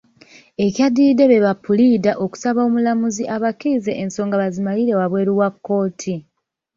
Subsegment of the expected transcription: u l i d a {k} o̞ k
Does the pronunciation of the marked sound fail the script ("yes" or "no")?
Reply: yes